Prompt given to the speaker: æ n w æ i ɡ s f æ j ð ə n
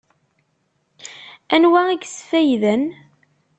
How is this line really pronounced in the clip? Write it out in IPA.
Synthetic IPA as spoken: æ n w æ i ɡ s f æ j ð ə n